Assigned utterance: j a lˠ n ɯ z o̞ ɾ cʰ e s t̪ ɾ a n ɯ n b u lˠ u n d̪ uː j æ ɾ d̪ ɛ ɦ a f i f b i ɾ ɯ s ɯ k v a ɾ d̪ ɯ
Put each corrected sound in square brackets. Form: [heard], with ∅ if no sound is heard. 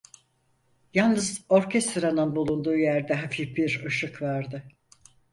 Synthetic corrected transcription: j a lˠ n ɯ z o̞ ɾ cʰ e s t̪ ɾ a n ɯ n b u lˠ u n d̪ uː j æ ɾ d̪ ɛ ɦ a f i f b i ɾ ɯ [ʃ] ɯ k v a ɾ d̪ ɯ